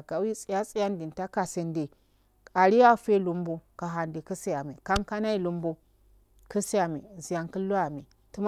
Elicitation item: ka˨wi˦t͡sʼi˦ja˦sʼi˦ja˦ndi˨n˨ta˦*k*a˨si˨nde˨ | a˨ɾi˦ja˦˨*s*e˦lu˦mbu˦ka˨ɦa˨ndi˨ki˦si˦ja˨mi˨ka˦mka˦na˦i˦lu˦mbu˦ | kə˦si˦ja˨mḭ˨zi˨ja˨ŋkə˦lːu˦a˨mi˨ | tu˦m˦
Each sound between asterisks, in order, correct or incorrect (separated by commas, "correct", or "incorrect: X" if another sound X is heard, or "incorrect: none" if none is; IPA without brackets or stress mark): correct, incorrect: f